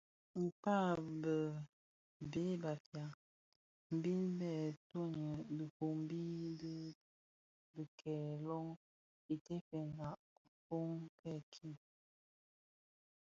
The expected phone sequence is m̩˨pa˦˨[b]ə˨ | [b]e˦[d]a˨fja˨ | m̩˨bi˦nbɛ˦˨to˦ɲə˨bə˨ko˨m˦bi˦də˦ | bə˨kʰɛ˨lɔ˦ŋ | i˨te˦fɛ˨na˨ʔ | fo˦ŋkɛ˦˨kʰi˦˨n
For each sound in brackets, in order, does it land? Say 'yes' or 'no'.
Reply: yes, yes, no

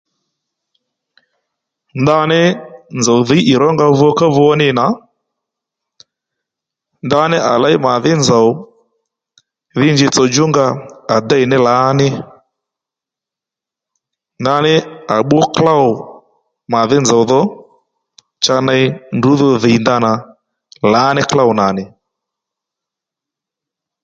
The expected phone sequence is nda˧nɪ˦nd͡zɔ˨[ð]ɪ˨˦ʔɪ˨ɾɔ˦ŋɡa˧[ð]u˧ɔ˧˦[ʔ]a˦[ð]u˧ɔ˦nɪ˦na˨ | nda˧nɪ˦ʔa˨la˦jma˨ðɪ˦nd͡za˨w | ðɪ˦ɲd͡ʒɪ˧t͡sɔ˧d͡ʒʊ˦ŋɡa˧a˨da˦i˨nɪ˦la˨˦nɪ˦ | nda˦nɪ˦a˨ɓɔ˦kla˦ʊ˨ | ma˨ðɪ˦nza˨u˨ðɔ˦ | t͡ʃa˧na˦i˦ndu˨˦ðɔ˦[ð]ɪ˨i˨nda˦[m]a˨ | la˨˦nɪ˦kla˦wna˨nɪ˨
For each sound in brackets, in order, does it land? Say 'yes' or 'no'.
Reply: yes, no, no, no, yes, no

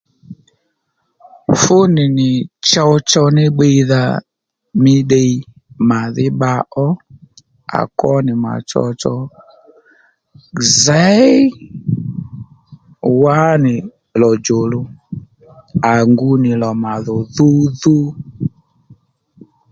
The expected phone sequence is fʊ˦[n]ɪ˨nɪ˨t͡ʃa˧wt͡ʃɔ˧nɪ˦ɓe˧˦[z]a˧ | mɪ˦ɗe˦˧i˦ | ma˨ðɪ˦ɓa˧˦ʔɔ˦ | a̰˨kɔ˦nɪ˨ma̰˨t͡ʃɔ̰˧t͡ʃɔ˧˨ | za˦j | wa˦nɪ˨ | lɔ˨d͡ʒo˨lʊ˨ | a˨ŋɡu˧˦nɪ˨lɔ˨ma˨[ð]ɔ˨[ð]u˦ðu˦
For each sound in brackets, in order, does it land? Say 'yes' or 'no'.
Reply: yes, no, yes, yes

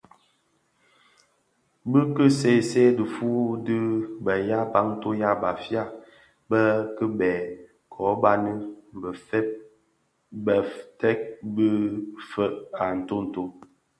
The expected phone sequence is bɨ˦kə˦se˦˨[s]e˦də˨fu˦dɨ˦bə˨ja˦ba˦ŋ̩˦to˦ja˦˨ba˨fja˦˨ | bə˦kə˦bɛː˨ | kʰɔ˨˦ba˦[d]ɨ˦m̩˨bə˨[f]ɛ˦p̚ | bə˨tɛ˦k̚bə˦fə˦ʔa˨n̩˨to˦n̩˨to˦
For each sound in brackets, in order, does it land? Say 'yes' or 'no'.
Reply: yes, no, yes

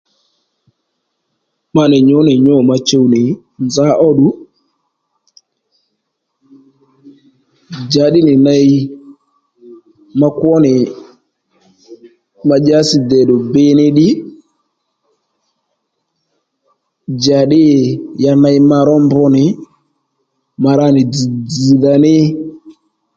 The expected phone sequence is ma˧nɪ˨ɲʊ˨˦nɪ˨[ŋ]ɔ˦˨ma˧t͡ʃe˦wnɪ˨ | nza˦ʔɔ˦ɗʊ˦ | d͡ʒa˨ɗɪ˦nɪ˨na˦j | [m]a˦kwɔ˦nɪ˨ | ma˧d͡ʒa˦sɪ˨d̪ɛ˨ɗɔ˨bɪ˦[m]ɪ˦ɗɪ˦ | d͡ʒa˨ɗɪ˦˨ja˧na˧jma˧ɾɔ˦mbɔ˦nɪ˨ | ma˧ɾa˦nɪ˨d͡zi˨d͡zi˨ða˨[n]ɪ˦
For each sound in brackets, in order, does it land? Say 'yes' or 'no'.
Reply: no, yes, no, yes

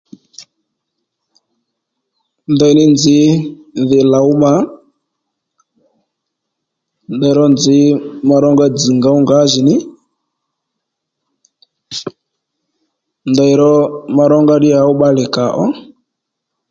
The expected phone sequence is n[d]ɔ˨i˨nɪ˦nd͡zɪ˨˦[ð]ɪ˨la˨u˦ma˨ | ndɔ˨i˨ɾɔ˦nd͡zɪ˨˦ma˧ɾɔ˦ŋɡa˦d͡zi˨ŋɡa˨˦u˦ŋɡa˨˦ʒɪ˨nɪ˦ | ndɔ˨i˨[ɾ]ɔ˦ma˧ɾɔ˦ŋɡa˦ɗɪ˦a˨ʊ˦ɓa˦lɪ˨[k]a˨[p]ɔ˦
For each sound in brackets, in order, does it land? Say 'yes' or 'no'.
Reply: yes, yes, yes, yes, no

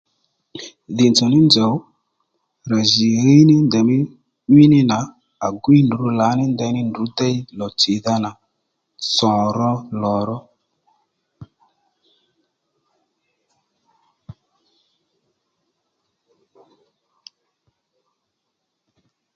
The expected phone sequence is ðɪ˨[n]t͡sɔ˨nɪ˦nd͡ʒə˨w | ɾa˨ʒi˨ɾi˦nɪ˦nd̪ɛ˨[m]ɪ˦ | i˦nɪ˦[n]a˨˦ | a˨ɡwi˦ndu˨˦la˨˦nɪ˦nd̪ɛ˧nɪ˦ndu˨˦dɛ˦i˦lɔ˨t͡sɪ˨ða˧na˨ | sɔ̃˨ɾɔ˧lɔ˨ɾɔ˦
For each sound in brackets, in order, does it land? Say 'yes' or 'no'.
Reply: yes, yes, yes

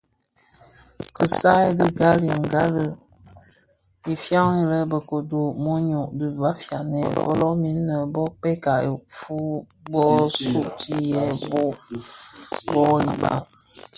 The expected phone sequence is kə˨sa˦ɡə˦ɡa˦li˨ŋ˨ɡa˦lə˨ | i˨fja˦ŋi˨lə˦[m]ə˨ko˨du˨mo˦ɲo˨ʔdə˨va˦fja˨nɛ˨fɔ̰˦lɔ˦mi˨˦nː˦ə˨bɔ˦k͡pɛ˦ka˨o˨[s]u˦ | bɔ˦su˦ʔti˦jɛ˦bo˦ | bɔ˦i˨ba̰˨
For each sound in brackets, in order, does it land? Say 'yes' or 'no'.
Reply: no, no

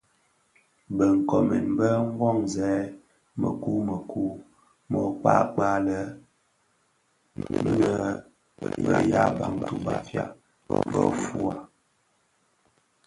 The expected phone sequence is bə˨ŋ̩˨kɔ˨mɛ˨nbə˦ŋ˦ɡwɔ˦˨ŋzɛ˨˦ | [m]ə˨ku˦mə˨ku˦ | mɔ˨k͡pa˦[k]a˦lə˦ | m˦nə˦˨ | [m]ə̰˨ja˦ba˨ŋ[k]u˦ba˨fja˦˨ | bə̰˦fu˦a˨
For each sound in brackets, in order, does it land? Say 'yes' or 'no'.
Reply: yes, no, no, no

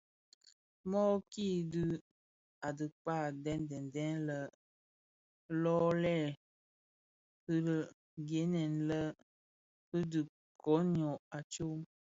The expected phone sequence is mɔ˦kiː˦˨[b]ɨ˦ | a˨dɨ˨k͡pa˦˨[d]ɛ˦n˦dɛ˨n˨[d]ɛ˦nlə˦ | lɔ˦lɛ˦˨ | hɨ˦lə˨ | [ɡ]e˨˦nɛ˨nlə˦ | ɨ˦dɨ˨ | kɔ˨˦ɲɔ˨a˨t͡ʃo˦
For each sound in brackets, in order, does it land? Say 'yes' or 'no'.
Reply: no, yes, yes, yes

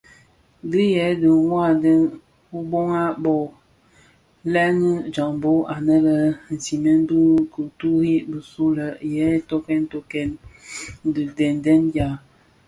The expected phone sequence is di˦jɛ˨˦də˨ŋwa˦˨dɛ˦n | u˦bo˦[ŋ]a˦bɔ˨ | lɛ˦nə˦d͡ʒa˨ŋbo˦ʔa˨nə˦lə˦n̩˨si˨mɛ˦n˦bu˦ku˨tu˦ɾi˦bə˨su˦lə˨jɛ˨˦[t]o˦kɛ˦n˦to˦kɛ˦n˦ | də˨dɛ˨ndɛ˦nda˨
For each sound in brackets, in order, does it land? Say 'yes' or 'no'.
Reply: yes, yes

